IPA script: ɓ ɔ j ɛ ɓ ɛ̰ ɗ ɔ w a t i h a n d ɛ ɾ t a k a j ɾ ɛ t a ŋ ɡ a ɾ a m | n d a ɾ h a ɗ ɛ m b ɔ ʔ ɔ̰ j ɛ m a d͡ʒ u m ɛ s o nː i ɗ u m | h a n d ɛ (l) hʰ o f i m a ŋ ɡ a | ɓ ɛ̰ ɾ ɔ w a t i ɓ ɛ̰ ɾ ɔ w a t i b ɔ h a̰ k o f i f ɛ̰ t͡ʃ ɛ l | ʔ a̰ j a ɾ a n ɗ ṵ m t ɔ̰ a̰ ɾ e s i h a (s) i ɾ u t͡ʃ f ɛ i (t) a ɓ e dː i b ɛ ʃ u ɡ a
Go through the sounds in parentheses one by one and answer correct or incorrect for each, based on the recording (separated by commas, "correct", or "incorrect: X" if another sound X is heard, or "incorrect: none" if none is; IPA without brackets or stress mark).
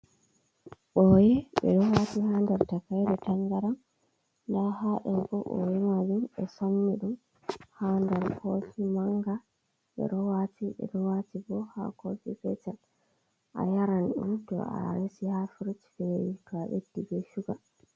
incorrect: ɾ, incorrect: f, incorrect: k